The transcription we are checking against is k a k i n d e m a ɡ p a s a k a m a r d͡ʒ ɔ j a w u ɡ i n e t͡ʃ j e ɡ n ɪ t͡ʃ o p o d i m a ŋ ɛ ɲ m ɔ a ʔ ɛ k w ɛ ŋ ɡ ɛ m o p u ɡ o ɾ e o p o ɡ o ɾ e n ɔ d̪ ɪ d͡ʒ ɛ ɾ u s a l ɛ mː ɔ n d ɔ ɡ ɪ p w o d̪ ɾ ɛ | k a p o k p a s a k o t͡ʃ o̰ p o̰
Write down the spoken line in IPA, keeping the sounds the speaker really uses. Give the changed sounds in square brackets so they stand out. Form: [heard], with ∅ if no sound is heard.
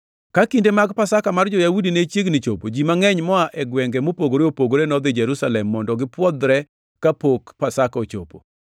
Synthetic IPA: k a k i n d e m a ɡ p a s a k a m a r d͡ʒ ɔ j a w u [d] i n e t͡ʃ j e ɡ n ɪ t͡ʃ o p o [d͡ʒ] i m a ŋ ɛ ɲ m ɔ a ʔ ɛ [ɡ] w ɛ ŋ ɡ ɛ m o p [o] ɡ o ɾ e o p o ɡ o ɾ e n ɔ d̪ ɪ d͡ʒ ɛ ɾ u s a l ɛ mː ɔ n d ɔ ɡ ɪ p w [ɔ] d̪ ɾ ɛ | k a p o k p a s a k o t͡ʃ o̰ p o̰

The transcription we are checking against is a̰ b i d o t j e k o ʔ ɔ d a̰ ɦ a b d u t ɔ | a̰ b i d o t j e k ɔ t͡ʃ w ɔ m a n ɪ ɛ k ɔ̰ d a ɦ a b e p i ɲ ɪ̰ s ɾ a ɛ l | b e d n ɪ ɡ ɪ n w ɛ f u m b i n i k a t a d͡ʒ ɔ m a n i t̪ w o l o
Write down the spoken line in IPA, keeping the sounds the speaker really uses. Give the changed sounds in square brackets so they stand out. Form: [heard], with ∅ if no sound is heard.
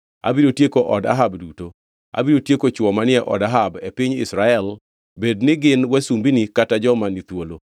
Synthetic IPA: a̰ b i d o t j e k o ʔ ɔ d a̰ ɦ a b d u t [o] | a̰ b i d o t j e k [o] t͡ʃ w ɔ m a n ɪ ɛ [ʔ] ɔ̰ d a ɦ a b e p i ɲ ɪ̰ s ɾ a ɛ l | b e d n ɪ ɡ ɪ n w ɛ [s] u m b i n i k a t a d͡ʒ ɔ m a n i t̪ w o l o

